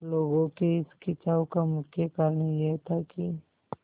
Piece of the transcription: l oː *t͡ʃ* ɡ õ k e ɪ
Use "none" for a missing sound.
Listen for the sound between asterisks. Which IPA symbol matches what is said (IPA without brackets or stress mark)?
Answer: none